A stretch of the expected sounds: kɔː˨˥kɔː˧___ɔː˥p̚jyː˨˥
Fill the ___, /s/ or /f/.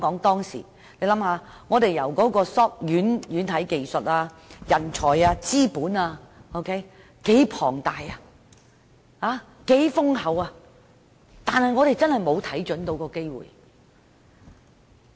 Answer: s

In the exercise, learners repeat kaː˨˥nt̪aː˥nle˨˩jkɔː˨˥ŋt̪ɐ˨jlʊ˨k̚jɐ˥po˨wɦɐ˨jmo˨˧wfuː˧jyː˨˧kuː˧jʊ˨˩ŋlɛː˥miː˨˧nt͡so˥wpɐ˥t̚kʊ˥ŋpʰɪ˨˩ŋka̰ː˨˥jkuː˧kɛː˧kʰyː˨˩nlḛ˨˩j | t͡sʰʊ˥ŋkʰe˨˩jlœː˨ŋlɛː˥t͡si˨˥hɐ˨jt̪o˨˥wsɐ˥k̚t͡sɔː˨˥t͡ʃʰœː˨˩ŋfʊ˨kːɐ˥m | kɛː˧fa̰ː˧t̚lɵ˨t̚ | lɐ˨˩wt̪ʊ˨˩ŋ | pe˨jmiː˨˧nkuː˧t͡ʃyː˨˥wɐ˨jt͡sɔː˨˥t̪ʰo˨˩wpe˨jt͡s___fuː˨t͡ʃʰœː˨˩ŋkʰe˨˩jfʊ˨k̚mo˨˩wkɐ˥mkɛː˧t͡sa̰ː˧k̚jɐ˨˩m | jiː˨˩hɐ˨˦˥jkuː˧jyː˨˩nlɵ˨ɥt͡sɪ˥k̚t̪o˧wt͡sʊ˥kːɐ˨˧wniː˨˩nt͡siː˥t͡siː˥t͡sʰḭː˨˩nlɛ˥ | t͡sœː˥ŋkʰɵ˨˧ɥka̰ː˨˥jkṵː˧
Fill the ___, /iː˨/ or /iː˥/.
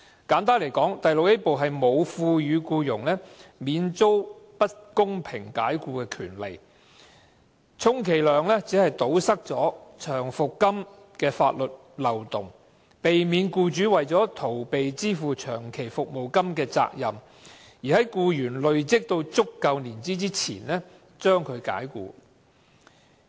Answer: iː˥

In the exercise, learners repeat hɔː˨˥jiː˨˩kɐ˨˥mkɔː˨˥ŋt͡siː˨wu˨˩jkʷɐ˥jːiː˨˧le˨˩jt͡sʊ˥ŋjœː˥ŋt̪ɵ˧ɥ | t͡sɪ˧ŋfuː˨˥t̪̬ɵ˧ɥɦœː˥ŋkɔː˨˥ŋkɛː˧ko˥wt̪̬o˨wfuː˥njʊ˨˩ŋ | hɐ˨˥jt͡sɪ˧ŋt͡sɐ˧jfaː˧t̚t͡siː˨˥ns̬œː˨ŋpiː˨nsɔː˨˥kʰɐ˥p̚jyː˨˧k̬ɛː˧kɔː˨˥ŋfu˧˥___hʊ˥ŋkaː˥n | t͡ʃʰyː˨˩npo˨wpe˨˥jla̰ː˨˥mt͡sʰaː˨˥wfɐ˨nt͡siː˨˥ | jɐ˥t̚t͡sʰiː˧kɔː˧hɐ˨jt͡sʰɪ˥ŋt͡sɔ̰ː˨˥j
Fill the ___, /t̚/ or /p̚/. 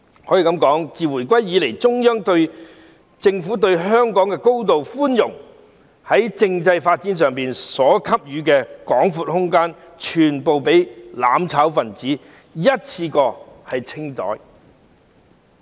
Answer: t̚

